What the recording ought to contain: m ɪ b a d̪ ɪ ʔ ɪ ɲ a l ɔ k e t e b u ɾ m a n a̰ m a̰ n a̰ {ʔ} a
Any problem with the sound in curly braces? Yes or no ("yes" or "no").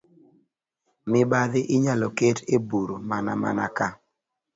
yes